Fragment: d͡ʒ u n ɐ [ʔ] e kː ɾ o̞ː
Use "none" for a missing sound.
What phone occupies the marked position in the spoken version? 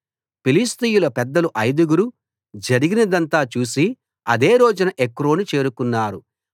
ʔ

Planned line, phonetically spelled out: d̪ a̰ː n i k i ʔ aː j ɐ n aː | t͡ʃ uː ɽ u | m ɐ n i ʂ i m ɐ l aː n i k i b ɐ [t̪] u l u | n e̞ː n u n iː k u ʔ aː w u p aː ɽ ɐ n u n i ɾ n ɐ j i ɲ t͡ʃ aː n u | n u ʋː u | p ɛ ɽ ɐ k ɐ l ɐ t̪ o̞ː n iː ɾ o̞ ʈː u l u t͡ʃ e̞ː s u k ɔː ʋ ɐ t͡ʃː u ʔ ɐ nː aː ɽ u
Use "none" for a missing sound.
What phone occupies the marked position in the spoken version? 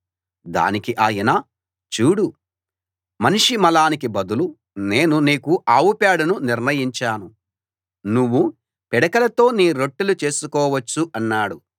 d̪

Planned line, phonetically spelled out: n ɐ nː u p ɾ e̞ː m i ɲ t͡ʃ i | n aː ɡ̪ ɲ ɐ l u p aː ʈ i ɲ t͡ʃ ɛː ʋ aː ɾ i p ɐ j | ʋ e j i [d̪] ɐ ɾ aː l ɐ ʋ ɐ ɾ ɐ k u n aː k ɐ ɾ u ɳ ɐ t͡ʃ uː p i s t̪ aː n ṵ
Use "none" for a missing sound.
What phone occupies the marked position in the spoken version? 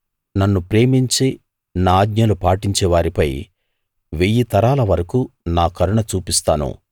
t̪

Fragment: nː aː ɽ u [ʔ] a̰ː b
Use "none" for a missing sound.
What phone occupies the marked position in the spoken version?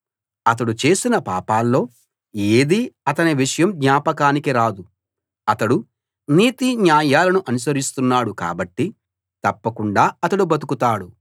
k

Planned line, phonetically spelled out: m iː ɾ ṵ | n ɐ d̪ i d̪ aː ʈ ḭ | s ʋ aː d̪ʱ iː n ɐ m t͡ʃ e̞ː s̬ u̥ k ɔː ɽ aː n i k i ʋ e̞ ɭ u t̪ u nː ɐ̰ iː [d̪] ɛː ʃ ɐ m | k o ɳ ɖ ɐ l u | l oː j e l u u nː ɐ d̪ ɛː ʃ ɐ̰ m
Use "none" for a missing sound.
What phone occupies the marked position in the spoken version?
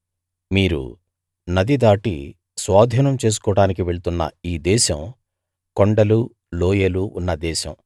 d̪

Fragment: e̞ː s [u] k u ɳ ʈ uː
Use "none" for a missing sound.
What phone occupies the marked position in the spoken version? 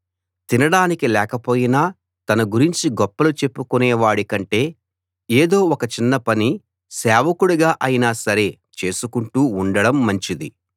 u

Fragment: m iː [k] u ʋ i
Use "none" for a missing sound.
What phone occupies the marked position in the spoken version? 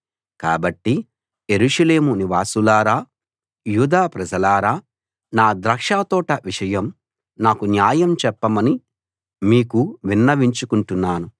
k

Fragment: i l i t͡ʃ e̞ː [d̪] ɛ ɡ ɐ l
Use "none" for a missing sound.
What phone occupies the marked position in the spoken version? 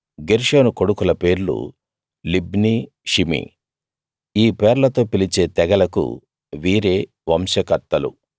t̪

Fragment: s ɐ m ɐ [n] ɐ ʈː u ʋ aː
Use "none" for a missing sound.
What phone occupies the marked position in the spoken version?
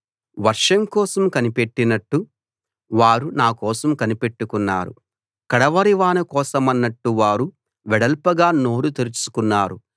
nː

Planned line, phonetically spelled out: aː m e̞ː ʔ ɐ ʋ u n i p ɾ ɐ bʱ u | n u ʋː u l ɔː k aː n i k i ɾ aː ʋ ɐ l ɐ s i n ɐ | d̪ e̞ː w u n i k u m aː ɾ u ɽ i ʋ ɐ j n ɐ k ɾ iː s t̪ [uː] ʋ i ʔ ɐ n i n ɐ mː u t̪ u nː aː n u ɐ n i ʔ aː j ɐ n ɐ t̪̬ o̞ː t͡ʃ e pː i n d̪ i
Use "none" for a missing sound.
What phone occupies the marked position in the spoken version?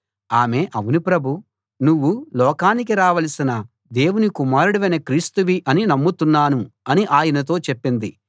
u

